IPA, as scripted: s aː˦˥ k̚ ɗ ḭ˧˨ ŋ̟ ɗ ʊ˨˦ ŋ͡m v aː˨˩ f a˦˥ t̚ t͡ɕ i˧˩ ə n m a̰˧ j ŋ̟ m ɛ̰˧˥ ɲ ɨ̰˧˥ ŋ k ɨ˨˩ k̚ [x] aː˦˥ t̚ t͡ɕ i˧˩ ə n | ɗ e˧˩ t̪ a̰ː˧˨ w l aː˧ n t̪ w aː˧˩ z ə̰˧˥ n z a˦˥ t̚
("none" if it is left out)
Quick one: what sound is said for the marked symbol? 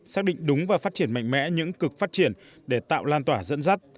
f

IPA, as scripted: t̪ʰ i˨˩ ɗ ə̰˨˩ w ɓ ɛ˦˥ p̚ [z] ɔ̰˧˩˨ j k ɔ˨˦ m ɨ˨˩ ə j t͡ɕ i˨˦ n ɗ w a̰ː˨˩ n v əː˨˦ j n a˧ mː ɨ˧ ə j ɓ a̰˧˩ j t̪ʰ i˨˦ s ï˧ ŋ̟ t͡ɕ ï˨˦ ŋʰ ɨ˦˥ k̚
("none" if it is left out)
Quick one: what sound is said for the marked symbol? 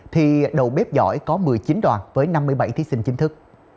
z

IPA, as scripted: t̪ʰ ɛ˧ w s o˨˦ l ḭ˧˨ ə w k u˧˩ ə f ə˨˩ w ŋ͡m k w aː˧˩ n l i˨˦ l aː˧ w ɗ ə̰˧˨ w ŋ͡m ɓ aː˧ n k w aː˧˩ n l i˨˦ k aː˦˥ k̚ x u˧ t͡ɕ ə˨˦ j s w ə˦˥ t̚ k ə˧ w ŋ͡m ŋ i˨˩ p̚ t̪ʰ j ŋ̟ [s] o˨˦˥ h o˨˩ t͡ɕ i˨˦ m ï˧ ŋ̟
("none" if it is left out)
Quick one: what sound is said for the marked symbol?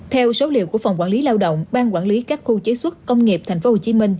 f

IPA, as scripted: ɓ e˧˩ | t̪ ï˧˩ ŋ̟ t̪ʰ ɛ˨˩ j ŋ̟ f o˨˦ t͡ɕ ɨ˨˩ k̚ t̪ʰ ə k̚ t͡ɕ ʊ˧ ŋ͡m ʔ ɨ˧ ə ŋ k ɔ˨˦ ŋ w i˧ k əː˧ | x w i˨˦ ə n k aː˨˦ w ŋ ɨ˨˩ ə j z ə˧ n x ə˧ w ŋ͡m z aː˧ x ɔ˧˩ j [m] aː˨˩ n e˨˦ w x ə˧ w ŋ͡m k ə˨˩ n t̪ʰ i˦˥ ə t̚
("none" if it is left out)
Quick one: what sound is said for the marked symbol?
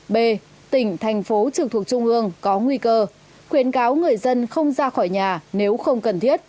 ɲ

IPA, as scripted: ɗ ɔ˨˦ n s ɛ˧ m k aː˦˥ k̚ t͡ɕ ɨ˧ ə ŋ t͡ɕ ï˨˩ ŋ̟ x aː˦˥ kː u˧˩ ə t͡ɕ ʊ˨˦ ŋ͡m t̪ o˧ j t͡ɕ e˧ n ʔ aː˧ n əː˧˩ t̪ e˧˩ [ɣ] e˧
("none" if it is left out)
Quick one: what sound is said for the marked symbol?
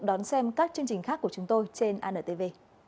v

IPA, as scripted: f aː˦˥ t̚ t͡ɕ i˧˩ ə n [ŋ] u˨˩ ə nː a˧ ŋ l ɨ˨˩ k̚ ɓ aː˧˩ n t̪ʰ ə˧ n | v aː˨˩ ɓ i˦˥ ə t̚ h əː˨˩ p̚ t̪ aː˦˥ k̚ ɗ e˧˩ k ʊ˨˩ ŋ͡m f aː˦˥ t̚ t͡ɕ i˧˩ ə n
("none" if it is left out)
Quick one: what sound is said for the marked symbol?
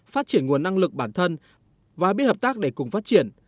ŋ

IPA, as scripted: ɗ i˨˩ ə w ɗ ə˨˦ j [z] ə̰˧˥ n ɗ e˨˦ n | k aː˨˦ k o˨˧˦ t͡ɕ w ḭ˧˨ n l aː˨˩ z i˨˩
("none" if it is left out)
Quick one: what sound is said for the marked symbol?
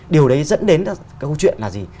z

